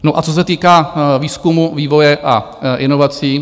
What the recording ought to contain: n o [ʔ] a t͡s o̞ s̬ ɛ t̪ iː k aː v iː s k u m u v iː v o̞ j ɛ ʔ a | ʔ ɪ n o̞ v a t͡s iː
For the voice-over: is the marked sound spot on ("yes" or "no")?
yes